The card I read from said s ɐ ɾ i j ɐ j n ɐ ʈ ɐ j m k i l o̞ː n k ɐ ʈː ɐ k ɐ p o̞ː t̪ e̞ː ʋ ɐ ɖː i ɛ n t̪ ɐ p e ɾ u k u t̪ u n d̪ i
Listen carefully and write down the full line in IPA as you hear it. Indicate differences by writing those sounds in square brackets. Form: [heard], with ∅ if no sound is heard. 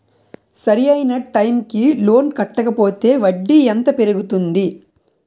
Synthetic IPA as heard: s ɐ ɾ i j ɐ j n ɐ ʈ ɐ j m k i l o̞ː n k ɐ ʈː ɐ k ɐ p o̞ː t̪ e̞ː ʋ ɐ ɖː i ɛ n t̪ ɐ p e ɾ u [ɡ] u t̪ u n d̪ i